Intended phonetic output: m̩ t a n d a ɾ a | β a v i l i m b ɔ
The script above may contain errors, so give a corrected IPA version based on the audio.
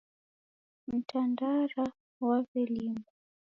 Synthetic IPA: m̩ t a n d a ɾ a | w a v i l i m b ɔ